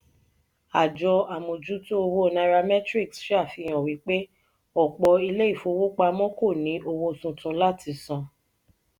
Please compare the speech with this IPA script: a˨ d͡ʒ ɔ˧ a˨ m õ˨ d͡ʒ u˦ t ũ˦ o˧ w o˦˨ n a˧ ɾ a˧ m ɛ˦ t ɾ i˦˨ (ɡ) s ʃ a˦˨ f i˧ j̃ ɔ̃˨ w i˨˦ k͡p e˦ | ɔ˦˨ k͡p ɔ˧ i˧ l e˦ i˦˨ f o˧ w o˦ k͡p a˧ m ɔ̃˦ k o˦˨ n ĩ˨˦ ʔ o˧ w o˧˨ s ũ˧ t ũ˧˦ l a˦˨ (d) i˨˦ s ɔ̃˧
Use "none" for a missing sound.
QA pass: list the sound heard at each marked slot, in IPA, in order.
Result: k, t

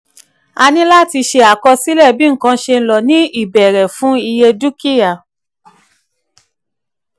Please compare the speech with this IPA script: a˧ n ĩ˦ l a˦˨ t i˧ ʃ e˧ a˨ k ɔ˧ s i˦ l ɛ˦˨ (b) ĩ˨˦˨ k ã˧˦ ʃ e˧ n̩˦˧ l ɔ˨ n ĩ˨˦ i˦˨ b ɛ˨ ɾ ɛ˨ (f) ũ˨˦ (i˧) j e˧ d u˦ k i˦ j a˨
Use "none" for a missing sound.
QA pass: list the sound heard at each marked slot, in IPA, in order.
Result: b, f, i˧

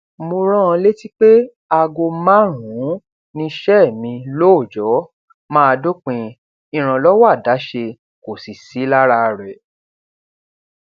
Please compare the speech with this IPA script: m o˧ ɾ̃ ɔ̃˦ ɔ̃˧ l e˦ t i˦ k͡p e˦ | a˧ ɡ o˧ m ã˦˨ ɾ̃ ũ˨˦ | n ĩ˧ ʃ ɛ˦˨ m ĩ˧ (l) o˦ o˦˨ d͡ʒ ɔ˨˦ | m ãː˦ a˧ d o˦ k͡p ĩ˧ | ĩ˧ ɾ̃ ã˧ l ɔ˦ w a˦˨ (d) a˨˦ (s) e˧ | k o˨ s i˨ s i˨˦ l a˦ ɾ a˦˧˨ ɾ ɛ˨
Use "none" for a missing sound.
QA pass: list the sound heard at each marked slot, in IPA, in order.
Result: l, d, ʃ

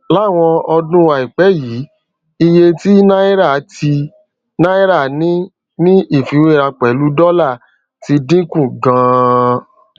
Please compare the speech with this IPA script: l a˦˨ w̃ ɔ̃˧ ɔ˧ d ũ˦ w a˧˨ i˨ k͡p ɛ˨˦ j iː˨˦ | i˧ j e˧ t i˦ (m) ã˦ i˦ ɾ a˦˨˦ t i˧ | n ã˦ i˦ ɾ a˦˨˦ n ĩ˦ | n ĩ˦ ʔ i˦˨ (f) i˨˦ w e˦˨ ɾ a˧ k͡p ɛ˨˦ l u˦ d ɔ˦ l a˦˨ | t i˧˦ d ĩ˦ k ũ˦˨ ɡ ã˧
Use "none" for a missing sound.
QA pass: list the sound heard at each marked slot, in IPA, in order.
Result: n, f

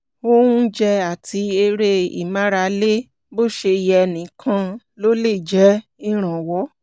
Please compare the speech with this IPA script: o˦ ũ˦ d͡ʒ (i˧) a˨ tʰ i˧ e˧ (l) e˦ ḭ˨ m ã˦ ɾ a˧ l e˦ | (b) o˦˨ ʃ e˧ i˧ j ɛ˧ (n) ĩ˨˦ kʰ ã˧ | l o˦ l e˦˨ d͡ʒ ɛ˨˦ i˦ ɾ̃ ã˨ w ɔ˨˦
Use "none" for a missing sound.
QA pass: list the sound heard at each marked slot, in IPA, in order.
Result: ɛ˧, ɾ, b, n

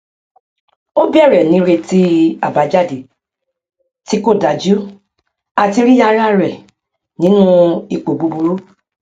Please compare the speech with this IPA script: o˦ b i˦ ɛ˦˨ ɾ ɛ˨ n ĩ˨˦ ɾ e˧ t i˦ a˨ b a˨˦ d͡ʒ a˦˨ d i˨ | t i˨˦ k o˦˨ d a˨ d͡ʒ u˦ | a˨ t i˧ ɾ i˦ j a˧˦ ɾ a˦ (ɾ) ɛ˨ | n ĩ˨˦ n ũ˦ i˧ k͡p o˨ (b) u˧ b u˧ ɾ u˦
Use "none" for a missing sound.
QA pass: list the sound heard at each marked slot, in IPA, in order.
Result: ɾ, b

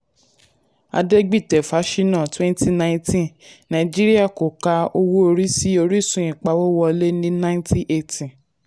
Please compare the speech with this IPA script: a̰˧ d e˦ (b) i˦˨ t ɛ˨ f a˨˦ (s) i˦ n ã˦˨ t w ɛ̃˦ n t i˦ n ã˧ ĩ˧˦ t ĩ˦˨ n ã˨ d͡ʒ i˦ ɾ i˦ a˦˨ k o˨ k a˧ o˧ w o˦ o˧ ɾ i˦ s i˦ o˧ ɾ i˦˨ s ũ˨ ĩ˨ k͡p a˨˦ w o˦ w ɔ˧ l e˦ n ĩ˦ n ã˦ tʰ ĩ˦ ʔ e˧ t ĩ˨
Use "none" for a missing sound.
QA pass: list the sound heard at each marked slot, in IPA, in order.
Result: ɡ͡b, ʃ

